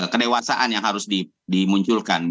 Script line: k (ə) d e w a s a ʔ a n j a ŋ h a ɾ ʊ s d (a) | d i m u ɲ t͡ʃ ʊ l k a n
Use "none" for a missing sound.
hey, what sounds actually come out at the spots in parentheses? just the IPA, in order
ə, i

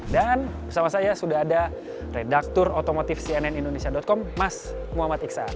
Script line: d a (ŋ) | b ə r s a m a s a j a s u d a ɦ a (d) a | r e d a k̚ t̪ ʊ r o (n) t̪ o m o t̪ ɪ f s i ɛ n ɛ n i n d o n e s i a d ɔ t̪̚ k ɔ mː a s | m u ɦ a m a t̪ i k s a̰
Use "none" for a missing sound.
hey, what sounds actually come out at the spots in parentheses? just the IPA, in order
n, d, none

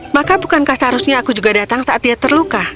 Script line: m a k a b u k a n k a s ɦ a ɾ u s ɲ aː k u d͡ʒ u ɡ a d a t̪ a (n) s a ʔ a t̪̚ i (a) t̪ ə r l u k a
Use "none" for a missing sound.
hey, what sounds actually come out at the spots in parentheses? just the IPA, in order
ŋ, a

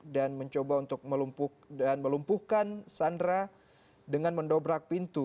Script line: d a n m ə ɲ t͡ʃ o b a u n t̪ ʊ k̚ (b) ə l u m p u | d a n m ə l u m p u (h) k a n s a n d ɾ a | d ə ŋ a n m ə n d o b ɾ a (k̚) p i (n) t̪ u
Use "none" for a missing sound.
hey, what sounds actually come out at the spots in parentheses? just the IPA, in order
m, h, k̚, n

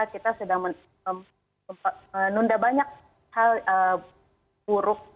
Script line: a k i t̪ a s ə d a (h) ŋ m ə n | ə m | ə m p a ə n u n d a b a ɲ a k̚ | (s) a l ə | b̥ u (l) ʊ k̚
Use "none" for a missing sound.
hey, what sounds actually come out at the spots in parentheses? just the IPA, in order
none, h, ɾ

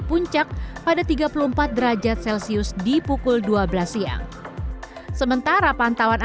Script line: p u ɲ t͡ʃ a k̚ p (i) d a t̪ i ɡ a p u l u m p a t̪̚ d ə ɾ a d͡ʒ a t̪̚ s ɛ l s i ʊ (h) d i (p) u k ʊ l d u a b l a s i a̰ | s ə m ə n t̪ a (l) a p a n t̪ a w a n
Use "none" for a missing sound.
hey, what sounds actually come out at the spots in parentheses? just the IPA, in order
a, s, p, ɾ

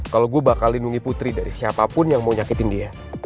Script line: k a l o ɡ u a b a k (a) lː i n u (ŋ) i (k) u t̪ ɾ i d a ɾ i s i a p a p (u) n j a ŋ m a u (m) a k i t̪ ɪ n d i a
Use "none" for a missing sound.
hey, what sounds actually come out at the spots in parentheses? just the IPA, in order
a, ŋ, p, ʊ, ɲ

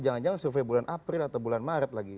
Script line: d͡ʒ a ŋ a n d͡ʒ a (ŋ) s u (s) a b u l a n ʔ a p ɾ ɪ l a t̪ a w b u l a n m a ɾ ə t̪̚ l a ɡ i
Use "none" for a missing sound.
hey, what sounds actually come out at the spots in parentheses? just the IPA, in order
ŋ, f

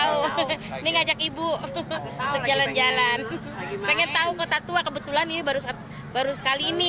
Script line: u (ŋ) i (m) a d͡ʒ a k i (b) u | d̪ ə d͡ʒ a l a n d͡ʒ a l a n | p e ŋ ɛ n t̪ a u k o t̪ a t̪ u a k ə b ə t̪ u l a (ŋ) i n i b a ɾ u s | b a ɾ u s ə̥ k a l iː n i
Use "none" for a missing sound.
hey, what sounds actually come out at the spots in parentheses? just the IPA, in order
n, ŋ, b, n

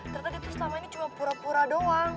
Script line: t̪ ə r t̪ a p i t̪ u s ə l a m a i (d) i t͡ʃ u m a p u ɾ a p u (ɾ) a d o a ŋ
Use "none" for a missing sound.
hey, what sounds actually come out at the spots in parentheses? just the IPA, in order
n, ɾ

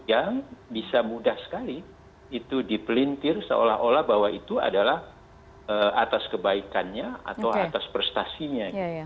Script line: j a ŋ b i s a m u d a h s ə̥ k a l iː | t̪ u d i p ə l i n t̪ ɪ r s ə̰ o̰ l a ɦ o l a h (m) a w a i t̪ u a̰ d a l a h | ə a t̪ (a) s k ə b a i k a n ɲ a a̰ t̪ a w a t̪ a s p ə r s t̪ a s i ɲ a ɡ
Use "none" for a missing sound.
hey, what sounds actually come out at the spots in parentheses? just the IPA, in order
b, a

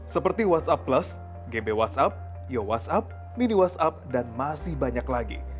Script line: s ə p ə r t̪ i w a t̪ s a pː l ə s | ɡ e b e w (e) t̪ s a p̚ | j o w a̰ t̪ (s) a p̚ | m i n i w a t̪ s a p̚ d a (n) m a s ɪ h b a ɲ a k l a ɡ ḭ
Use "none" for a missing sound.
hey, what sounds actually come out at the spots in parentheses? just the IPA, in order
a, s, n

